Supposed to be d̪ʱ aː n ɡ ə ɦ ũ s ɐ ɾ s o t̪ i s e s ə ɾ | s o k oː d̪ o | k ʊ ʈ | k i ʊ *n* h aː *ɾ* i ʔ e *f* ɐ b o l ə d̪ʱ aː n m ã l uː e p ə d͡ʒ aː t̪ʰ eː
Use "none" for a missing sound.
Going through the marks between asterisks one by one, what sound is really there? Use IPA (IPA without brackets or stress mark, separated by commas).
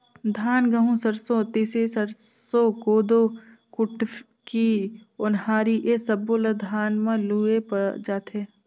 n, ɾ, s